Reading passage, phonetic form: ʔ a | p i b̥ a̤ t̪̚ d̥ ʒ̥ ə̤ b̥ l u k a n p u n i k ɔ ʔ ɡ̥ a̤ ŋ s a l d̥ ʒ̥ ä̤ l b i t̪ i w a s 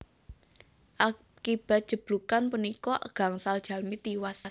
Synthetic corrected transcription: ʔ a | k i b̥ a̤ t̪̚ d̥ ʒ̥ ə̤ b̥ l u k a n p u n i k ɔ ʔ ɡ̥ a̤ ŋ s a l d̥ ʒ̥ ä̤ l m i t̪ i w a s

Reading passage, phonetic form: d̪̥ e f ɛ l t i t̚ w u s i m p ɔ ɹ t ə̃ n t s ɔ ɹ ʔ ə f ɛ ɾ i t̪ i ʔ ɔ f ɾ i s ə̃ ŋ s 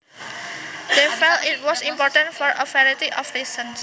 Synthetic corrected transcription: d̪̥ e f ɛ l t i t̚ w ɔ s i m p ɔ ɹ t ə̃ n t f ɔ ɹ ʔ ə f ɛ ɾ i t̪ i ʔ ɔ f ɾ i s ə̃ n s

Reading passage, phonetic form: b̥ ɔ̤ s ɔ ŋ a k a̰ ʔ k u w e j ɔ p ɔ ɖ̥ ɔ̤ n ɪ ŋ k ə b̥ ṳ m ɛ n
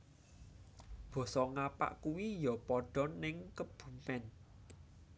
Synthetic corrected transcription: b̥ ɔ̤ s ɔ ŋ a p a̰ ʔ k u w i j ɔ p ɔ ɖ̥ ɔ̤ n ɪ ŋ k ə b̥ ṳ m ɛ n

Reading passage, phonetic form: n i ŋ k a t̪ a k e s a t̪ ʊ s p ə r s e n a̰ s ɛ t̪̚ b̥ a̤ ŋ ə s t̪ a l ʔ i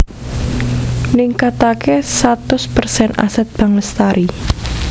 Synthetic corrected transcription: n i ŋ k a t̪ a k e s a t̪ ʊ s p ə r s ɛ n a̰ s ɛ t̪̚ b̥ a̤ ŋ ə s t̪ a ɾ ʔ i

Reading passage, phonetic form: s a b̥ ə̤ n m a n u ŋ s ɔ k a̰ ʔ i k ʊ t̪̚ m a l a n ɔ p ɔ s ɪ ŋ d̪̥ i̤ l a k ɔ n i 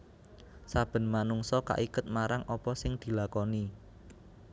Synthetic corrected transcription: s a b̥ ə̤ n m a n u ŋ s ɔ k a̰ ʔ i k ʊ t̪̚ m a ɾ a ŋ ɔ p ɔ s ɪ ŋ d̪̥ i̤ l a k ɔ n i

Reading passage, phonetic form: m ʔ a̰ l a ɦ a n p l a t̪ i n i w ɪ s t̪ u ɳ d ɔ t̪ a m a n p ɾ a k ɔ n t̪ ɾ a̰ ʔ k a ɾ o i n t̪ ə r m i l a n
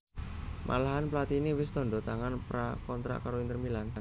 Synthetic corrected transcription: m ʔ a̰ l a ɦ a n p l a t̪ i n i w ɪ s t̪ ɔ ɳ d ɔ t̪ a ŋ a n p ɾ a k ɔ n t̪ ɾ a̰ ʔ k a ɾ o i n t̪ ə r m i l a n

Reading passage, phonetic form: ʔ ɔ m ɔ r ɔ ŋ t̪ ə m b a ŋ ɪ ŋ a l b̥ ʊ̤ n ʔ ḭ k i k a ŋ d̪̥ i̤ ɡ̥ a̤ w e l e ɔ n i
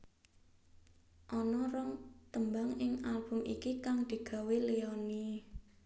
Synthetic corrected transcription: ʔ ɔ n ɔ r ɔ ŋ t̪ ə m b a ŋ ɪ ŋ a l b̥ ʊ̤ m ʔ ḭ k i k a ŋ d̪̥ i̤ ɡ̥ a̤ w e l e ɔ n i

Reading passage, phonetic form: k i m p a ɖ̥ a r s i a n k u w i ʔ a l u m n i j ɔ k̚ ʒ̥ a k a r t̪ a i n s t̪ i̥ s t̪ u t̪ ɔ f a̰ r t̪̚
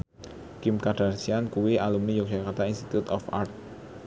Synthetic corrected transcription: k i m k a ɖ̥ a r s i a n k u w i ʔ a l u m n i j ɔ k̚ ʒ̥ a k a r t̪ a i n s t̪ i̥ t̪ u t̪ ɔ f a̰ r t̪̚

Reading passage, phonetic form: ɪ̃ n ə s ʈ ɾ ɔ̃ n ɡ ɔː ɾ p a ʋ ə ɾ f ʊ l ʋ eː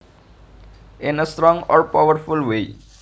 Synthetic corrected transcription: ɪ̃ n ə s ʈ ɾ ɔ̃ ŋ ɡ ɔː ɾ p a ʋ ə ɾ f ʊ l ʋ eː

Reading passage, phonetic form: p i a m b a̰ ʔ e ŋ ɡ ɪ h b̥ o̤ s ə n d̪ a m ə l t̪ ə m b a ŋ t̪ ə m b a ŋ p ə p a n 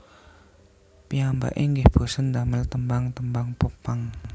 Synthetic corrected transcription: p i a m b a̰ ʔ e ŋ ɡ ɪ h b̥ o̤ s ə n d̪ a m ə l t̪ ə m b a ŋ t̪ ə m b a ŋ p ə p a ŋ

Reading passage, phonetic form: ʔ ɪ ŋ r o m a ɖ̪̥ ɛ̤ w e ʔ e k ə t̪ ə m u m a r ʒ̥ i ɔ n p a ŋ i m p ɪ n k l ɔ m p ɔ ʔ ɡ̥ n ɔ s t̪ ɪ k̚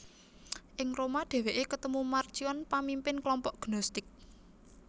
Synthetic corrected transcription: ʔ ɪ ŋ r o m a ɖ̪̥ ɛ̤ w e ʔ e k ə t̪ ə m u m a r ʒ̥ i ɔ n p a m i m p ɪ n k l ɔ m p ɔ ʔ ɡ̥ n ɔ s t̪ ɪ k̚

